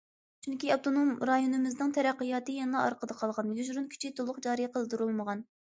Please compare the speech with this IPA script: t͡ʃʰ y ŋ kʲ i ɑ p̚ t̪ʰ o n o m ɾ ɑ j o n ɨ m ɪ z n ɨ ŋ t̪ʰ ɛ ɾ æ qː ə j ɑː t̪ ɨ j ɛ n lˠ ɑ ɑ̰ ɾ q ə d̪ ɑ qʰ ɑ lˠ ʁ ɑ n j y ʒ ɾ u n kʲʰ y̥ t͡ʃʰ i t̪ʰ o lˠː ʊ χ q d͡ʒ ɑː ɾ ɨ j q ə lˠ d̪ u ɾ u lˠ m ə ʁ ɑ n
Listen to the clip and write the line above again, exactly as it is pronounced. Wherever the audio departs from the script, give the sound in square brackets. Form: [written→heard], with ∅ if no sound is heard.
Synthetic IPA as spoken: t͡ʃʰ y ŋ kʲ i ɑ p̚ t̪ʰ o n o m ɾ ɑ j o n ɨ m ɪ z n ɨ ŋ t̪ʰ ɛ ɾ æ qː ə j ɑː t̪ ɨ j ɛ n lˠ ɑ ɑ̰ ɾ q ə d̪ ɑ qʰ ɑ lˠ ʁ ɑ n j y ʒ ɾ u n kʲʰ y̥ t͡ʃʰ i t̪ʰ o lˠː ʊ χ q d͡ʒ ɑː ɾ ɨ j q ə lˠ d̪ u ɾ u lˠ m ə ʁ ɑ n